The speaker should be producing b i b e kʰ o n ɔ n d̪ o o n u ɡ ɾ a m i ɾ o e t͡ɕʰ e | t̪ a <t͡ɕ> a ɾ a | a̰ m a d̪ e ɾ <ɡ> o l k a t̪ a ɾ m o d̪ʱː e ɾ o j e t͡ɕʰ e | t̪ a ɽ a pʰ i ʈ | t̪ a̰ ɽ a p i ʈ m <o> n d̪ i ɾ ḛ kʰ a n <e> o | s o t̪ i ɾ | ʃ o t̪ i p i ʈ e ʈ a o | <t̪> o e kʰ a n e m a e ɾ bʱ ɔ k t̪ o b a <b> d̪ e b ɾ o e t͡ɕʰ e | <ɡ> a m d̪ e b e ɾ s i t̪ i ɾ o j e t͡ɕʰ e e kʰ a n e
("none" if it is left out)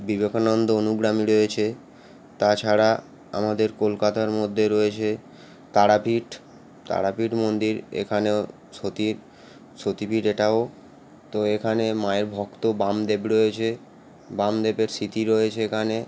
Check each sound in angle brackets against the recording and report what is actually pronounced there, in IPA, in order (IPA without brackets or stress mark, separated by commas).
t͡ɕʰ, k, o, e, t̪, m, b